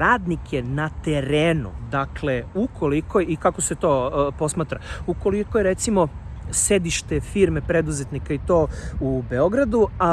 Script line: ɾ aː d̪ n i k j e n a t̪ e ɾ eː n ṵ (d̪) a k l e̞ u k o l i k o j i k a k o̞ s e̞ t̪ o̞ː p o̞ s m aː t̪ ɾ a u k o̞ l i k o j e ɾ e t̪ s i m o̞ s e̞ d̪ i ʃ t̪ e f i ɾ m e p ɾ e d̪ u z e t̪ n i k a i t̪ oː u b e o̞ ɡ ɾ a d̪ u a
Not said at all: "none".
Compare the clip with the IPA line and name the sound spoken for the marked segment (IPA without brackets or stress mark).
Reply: d̪